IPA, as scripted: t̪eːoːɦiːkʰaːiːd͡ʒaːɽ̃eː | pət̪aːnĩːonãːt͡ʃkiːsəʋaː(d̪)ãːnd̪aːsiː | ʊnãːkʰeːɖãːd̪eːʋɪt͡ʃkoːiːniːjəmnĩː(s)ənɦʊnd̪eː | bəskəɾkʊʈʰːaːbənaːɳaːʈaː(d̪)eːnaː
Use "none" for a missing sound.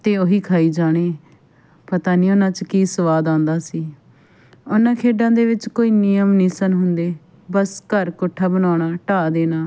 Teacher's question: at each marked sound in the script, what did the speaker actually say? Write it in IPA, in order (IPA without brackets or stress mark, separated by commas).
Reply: d̪, s, d̪